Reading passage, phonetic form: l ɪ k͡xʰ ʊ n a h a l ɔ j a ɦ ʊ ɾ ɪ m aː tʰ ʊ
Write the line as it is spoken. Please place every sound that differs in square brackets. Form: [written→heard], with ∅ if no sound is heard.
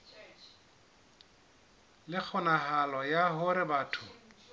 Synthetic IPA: l ɪ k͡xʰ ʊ n a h a l ɔ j a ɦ ʊ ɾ ɪ [m→b] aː tʰ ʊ